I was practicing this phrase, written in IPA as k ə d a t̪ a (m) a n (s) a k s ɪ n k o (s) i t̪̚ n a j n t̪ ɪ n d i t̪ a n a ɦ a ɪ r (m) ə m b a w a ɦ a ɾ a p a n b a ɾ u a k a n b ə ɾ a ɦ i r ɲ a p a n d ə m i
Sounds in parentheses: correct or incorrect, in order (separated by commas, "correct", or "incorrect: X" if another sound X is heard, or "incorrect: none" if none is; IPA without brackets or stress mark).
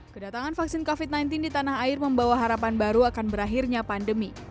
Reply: incorrect: ŋ, incorrect: f, incorrect: f, correct